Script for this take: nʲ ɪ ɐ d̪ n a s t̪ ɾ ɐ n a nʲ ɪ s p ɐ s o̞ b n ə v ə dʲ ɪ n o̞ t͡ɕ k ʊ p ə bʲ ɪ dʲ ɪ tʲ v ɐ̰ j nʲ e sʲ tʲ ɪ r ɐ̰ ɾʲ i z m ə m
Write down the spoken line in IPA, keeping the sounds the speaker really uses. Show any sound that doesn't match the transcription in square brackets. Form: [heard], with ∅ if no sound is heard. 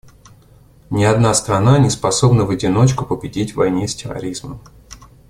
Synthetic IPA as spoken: nʲ ɪ ɐ d̪ n a s t̪ ɾ ɐ n a nʲ ɪ s p ɐ s o̞ b n ə v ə dʲ ɪ n o̞ t͡ɕ k ʊ p ə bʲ ɪ dʲ [i] tʲ v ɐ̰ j nʲ e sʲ tʲ ɪ r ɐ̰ ɾʲ i z m ə m